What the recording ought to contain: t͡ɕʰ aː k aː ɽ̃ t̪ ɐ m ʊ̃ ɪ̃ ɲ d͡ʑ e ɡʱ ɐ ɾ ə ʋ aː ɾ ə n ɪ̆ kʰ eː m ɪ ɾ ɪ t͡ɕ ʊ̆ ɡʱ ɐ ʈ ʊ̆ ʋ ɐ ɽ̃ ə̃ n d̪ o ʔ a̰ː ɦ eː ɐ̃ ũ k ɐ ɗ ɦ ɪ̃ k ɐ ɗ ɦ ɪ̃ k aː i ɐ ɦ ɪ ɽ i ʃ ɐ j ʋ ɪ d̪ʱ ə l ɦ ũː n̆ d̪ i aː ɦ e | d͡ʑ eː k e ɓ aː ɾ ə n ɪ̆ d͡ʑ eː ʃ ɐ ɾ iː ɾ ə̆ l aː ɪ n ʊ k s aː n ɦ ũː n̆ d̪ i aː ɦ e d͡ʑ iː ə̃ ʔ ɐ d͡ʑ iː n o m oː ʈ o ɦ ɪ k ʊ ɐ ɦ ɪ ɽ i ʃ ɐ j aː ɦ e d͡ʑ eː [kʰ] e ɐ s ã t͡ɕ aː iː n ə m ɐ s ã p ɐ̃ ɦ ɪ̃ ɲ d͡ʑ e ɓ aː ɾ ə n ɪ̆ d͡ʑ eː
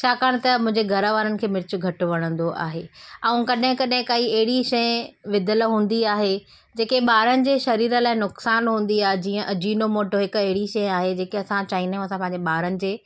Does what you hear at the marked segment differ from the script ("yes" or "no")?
yes